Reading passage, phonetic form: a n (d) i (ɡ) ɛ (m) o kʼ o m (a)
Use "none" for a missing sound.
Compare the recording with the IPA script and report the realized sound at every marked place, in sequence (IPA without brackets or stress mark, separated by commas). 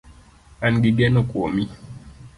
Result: ɡ, ɡ, n, i